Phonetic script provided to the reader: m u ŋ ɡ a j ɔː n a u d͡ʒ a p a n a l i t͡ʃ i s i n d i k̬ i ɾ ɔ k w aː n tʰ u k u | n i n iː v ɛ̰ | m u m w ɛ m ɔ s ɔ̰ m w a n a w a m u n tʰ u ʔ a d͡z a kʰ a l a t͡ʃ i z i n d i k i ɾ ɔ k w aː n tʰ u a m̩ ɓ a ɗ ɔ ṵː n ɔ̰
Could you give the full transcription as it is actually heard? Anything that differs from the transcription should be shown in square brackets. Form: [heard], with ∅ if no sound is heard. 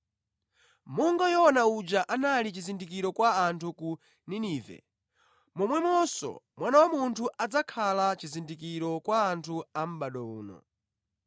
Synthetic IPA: m u ŋ ɡ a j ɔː n a u d͡ʒ a [ʔ] a n a l i t͡ʃ i [z] i n d i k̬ i ɾ ɔ k w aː n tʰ u k u | n i n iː v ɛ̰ | m [ɔ] m w ɛ m ɔ s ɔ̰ m w a n a w a m u n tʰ u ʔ a d͡z a kʰ a l a t͡ʃ i z i n d i k i ɾ ɔ k w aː n tʰ u a m̩ ɓ a ɗ ɔ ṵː n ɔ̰